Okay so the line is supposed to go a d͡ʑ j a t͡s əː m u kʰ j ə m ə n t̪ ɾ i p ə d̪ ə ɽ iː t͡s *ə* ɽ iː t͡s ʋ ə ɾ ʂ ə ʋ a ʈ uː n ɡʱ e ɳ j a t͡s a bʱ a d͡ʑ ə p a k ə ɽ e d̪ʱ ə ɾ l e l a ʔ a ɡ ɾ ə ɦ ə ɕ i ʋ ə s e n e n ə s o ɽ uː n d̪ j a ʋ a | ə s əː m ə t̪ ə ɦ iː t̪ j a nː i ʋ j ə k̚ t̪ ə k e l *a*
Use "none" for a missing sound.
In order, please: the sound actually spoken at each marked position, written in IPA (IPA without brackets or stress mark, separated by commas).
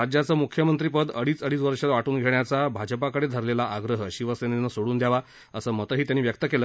ə, ə